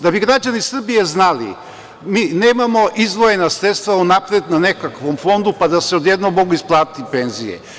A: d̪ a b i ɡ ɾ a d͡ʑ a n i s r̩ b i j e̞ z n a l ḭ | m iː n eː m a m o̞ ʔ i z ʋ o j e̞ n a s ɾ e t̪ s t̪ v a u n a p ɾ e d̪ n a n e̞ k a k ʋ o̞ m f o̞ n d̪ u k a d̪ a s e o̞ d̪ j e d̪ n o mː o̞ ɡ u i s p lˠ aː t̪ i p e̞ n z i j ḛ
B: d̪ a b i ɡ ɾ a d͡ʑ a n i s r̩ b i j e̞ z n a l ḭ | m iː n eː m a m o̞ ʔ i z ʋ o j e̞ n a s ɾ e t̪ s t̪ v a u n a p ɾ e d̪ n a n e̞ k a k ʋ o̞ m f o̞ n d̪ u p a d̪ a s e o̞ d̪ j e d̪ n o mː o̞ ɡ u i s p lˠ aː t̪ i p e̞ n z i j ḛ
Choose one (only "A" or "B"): B